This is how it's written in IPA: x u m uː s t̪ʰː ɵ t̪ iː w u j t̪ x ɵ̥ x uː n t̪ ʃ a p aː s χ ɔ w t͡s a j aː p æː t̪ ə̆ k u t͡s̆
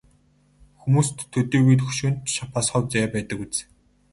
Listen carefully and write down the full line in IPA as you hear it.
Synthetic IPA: x u m uː s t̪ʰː ɵ t̪ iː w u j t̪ x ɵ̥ ʃ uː n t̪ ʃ a p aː s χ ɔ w t͡s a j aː p æː t̪ ə̆ k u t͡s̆